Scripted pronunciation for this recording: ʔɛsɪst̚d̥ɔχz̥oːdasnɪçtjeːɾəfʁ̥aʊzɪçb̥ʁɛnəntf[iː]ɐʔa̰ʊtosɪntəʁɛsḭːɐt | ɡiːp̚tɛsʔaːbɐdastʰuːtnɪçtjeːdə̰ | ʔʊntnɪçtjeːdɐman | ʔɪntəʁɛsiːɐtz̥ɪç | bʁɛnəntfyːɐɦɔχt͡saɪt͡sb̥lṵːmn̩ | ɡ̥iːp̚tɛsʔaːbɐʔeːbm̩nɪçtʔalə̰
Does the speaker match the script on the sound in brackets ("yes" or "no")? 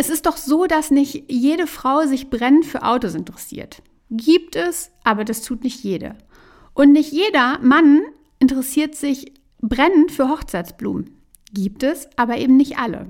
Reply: no